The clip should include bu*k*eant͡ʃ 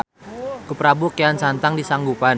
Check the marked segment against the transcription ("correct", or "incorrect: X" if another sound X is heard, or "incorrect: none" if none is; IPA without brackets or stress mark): correct